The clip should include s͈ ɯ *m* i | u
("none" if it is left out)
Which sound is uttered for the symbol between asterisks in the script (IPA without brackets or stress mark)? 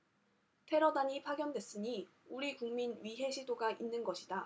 ɲ